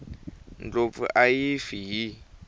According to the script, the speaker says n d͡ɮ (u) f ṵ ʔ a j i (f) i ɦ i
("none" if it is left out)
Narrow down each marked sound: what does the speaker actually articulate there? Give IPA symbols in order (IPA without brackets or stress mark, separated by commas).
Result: o, f